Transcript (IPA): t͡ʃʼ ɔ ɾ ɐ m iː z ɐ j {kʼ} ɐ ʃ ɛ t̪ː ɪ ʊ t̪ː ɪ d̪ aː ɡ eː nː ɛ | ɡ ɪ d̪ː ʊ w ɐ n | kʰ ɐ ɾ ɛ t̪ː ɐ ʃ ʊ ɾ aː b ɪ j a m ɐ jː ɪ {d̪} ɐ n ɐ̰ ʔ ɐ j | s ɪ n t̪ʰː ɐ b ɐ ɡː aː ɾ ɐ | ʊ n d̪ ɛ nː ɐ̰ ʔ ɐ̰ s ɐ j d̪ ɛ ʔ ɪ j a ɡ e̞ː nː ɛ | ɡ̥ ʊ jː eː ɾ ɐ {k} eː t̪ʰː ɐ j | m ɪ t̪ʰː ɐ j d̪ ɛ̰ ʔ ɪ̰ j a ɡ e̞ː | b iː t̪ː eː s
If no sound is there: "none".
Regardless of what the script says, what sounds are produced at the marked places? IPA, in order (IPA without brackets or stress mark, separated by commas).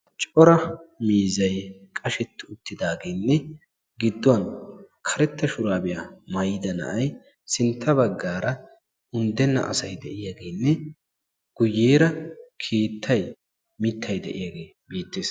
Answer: kʼ, d̪, kʰ